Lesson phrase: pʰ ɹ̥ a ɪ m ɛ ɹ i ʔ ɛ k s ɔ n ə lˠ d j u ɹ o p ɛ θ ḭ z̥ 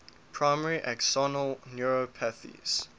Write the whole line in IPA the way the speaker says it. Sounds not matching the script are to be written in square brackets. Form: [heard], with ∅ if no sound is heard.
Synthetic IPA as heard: pʰ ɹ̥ a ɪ m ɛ ɹ i ʔ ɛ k s ɔ n ə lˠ [n] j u ɹ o [pʰ] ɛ θ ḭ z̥